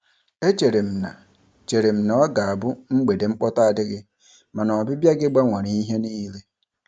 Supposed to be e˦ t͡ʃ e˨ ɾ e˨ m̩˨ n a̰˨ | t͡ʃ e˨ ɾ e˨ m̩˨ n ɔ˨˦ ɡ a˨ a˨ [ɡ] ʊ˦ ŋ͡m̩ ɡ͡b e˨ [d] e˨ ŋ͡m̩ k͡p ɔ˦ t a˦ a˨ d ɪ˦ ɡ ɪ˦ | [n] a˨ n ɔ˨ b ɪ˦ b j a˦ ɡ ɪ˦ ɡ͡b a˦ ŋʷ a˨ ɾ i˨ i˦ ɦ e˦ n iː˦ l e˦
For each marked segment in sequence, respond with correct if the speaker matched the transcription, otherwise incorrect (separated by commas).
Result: incorrect, correct, incorrect